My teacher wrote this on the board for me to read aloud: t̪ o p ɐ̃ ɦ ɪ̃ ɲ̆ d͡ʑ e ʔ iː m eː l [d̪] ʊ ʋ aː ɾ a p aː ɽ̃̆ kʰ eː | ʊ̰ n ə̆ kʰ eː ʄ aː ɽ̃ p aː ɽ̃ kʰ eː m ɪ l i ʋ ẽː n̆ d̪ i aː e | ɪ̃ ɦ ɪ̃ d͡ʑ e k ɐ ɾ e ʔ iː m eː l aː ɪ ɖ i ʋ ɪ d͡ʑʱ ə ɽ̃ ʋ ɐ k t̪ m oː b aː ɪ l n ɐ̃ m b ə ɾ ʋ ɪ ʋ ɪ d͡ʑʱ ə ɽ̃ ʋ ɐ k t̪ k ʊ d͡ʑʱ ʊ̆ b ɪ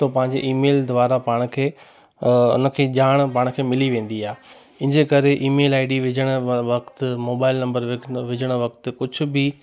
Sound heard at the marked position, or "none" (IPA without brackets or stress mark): d̪